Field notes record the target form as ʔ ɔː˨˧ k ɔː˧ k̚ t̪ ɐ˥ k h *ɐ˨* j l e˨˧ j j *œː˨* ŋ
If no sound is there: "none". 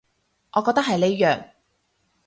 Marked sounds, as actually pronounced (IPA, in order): ɐ˨, œː˨

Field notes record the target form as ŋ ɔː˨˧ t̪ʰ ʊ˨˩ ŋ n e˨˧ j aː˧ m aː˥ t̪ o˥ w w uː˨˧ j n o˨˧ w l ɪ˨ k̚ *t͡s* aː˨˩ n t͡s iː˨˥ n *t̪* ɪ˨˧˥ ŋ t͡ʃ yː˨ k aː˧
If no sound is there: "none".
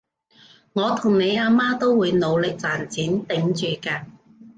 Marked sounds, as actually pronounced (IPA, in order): t͡s, t̪

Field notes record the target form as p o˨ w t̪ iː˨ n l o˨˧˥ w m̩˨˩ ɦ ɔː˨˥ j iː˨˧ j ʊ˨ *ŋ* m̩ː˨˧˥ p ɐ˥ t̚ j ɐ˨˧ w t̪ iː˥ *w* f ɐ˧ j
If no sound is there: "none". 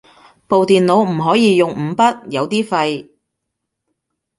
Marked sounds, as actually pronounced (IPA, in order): ŋ, none

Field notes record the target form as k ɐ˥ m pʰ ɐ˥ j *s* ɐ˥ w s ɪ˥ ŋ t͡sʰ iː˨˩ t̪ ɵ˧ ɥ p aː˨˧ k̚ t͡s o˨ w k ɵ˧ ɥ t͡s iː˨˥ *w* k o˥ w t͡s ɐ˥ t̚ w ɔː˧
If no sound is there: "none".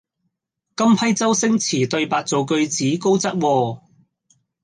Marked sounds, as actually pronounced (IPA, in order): t͡s, none

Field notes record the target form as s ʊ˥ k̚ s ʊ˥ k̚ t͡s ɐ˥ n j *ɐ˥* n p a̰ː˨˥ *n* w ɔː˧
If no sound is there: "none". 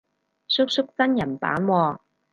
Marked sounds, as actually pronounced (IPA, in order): ɐ˨˩, n

